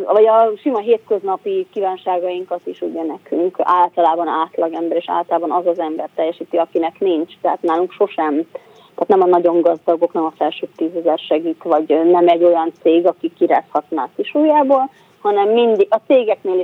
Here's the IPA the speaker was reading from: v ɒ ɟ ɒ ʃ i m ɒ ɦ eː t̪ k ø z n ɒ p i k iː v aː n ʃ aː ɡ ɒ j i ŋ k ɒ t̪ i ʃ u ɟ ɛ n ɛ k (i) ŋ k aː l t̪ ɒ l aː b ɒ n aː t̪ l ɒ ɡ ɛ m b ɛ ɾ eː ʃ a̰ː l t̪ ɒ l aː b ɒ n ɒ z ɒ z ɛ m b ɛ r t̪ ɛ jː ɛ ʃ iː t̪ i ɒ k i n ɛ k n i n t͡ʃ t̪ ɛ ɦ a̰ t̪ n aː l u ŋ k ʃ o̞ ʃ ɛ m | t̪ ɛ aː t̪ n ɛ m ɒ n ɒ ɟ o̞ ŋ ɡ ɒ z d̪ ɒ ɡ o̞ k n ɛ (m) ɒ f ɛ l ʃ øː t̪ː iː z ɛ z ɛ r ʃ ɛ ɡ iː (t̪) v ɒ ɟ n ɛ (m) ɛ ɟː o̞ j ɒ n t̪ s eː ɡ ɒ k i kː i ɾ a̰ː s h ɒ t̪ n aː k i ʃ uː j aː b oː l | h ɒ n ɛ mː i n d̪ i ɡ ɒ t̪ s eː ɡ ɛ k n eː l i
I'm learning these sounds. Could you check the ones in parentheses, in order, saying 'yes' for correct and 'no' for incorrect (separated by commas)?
no, yes, yes, yes